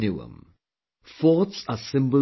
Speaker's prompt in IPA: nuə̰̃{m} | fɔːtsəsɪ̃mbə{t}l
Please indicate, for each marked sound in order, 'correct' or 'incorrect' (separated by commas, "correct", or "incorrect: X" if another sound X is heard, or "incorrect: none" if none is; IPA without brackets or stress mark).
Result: correct, incorrect: none